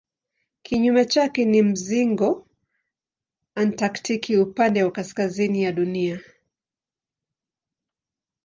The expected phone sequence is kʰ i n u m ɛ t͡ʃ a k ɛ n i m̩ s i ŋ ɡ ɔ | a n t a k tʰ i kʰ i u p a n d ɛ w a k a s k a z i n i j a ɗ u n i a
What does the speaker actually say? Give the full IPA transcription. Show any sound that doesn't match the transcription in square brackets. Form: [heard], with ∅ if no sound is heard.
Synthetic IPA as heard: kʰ i [ɲ] u m ɛ t͡ʃ a k ɛ n i m̩ [z] i ŋ ɡ ɔ | a n t a k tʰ i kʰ i u p a n d ɛ w a k a s k a z i n i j a ɗ u n i a